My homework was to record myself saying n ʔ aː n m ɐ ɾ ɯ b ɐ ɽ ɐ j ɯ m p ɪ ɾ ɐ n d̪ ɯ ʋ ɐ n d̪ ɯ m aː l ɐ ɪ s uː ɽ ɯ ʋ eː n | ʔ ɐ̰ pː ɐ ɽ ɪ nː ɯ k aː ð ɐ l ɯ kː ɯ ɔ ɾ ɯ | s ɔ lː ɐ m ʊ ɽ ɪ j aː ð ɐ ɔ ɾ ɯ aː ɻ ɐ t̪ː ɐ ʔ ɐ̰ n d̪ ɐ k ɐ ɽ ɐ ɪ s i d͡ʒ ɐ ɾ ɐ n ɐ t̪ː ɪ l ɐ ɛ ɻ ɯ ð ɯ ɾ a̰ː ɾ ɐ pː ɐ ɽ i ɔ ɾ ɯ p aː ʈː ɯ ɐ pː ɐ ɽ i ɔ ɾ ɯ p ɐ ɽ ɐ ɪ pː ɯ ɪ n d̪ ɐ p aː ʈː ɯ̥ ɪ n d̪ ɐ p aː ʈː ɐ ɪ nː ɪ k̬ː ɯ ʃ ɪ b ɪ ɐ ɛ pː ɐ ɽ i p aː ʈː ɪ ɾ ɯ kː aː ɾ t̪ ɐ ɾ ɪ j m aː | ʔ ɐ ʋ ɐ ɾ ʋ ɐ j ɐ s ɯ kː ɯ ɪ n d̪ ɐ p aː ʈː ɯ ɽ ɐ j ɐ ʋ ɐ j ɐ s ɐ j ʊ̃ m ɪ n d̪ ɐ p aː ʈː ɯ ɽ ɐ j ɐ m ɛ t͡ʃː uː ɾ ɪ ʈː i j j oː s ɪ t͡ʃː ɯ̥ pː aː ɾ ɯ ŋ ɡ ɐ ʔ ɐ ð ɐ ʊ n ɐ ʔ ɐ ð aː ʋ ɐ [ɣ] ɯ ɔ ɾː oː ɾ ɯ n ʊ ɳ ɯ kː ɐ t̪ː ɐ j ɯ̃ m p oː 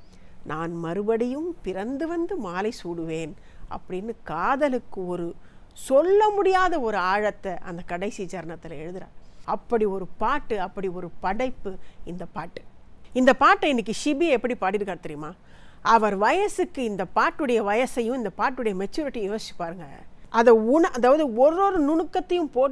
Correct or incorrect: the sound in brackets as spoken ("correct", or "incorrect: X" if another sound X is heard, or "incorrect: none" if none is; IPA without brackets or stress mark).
incorrect: ð